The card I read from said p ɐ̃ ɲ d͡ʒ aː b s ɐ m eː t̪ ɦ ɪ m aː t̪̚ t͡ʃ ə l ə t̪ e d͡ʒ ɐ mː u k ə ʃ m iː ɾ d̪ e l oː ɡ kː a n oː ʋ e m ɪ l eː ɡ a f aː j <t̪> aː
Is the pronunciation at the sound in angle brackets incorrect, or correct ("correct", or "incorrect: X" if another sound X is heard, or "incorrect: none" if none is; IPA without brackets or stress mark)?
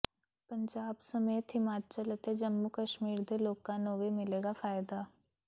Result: incorrect: d̪